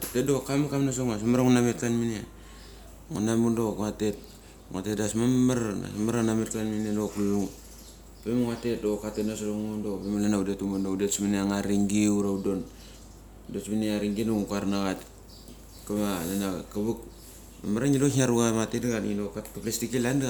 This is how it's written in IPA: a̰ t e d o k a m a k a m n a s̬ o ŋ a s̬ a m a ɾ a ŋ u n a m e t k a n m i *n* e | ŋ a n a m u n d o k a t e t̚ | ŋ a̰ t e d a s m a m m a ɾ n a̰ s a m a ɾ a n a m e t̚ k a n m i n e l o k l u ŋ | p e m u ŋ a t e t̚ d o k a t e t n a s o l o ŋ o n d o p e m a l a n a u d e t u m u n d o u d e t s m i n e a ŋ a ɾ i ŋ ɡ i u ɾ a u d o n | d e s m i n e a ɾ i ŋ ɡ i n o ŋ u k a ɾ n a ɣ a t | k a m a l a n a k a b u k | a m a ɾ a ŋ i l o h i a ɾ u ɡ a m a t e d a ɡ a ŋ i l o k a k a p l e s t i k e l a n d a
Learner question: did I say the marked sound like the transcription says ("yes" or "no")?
yes